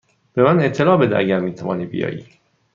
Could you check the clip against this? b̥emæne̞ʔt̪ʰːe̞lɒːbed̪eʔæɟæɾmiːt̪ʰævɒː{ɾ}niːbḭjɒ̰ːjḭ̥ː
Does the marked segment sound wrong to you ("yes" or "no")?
yes